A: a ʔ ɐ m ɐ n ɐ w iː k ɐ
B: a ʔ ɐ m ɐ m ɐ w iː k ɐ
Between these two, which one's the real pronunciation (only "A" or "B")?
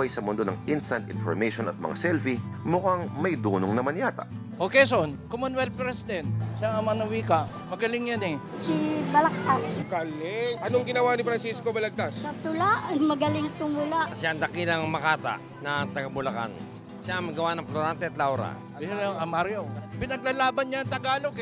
A